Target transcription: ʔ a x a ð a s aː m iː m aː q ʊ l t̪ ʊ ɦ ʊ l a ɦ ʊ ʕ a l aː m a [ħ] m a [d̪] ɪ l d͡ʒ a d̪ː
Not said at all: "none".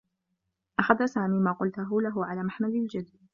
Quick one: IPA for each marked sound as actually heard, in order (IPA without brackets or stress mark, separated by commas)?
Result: ħ, d̪